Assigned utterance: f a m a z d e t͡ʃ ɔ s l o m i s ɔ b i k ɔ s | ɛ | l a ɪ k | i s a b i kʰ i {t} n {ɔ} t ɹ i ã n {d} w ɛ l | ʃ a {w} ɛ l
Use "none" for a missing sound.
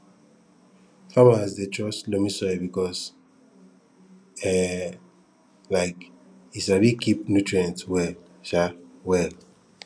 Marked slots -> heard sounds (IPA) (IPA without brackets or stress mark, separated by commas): p, u, t, w